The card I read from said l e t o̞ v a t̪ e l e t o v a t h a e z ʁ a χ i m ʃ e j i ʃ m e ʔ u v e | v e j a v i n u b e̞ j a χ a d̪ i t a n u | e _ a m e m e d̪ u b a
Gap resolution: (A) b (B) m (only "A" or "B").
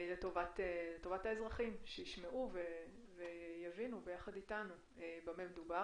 A